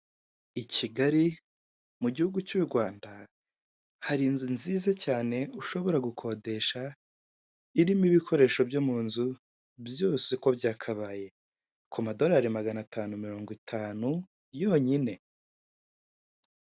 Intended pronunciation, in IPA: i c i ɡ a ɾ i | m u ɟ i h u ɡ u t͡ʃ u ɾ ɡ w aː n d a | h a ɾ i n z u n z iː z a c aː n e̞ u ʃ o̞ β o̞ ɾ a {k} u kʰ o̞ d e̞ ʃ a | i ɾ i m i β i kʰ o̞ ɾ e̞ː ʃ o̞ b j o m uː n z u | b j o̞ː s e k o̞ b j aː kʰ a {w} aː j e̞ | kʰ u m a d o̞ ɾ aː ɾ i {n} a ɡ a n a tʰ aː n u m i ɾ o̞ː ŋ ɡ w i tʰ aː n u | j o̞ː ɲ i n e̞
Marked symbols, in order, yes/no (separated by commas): no, no, no